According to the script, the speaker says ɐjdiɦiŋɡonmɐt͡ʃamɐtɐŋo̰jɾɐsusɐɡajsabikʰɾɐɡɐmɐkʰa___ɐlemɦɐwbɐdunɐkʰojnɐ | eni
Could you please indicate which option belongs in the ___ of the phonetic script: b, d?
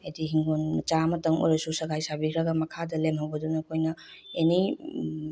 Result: d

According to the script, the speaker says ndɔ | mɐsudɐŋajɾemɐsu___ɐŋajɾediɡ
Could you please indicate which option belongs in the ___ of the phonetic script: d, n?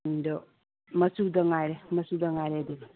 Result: d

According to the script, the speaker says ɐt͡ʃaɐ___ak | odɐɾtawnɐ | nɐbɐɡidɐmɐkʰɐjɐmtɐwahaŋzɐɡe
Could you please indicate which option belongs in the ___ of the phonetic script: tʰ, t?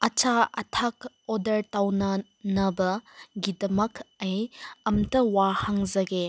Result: tʰ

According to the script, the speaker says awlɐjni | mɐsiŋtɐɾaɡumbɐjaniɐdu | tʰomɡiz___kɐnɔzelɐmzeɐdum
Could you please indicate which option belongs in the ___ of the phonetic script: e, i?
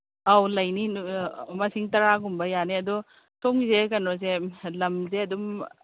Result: e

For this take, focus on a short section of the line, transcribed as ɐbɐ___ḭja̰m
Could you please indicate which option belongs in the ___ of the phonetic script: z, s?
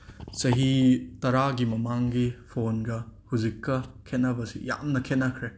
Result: s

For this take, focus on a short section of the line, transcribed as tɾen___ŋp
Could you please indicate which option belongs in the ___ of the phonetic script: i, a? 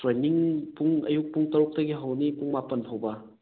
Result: i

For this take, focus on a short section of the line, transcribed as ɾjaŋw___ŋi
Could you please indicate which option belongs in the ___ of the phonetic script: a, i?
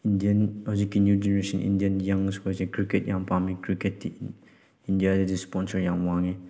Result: a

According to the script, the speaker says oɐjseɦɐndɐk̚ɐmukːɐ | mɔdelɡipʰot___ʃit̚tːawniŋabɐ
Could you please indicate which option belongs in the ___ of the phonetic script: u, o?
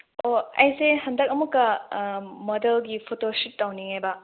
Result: o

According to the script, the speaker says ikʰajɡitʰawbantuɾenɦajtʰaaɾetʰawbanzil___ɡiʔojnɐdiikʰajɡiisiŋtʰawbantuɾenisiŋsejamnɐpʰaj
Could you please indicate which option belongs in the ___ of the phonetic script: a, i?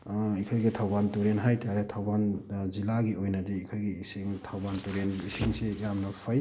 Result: a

